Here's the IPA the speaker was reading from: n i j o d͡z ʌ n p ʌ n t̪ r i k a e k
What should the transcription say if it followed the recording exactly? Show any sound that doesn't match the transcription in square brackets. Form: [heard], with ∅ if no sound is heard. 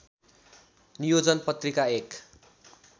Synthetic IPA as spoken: n i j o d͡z ʌ n p ʌ [∅] t̪ r i k a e k